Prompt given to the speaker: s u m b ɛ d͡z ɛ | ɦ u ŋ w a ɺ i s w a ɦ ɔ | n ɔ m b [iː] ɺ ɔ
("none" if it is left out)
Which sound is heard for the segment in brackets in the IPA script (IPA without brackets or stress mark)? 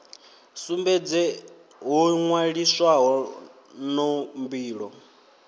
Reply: iː